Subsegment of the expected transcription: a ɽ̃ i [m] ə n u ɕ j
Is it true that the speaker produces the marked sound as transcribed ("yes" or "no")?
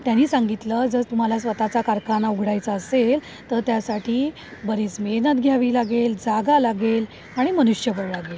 yes